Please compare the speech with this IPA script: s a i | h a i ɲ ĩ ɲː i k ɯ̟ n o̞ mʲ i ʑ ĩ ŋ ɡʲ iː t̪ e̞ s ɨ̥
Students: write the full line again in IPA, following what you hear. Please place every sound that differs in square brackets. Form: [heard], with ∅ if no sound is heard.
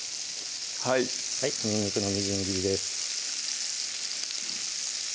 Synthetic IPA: [h] a i | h a i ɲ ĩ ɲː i k ɯ̟ n o̞ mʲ i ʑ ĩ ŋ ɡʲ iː [d̪] e̞ s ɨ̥